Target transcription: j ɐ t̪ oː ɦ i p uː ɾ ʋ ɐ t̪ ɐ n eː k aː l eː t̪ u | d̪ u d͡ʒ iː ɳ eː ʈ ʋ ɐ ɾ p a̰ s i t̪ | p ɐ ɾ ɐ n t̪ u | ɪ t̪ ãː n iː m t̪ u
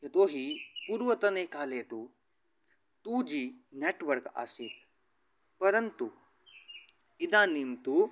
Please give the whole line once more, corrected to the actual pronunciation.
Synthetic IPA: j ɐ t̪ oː ɦ i p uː ɾ ʋ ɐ t̪ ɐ n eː k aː l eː t̪ u | t̪ u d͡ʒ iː n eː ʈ ʋ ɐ ɾ k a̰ s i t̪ | p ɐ ɾ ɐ n t̪ u | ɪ d̪ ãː n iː m t̪ u

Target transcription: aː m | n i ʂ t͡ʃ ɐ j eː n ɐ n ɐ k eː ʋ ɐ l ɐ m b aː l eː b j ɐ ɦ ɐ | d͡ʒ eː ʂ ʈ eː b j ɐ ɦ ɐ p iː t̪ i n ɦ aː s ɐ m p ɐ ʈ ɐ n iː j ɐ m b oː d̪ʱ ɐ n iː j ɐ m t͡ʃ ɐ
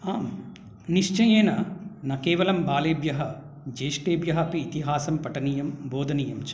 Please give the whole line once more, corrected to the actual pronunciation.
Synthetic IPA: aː m | n i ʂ t͡ʃ ɐ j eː n ɐ n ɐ k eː ʋ ɐ l ɐ m b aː l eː b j ɐ ɦ ɐ | d͡ʒ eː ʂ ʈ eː b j ɐ ɦ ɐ p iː t̪ i ɦ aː s ɐ m p ɐ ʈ ɐ n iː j ɐ m b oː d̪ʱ ɐ n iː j ɐ m t͡ʃ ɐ

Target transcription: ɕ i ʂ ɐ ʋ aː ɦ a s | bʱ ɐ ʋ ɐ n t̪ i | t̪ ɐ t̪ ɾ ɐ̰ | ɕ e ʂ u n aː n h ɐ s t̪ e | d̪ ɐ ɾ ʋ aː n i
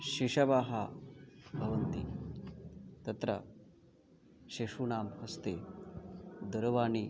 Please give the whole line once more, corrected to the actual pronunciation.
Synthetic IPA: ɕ i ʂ ɐ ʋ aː ɦ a | bʱ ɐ ʋ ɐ n t̪ i | t̪ ɐ t̪ ɾ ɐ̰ | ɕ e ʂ u n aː m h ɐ s t̪ e | d̪ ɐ ɾ ʋ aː n i

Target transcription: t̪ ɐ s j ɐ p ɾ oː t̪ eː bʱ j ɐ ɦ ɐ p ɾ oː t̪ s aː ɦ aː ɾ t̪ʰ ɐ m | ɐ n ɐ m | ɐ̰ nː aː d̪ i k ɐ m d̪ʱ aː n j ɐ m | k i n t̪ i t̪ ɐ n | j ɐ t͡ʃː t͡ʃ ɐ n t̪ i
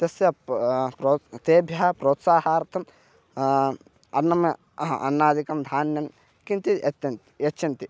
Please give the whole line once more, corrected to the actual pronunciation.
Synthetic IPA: t̪ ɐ s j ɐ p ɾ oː t̪ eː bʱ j ɐ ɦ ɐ p ɾ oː t̪ s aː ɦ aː ɾ t̪ʰ ɐ m | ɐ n ɐ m | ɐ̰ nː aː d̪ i k ɐ m d̪ʱ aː n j ɐ m | k i n t̪ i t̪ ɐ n | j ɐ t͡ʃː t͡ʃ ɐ n t̪ i

